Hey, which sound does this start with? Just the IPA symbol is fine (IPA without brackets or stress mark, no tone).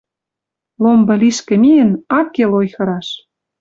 l